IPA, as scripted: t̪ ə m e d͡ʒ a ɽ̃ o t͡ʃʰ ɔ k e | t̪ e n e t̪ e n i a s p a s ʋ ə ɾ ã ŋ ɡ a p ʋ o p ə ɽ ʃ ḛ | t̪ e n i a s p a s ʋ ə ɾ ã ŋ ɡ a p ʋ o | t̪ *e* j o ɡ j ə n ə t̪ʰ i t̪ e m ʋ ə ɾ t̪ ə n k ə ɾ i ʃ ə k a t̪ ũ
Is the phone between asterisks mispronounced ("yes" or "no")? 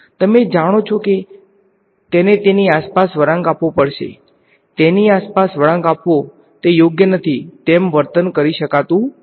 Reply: no